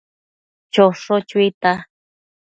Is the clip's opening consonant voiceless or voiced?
voiceless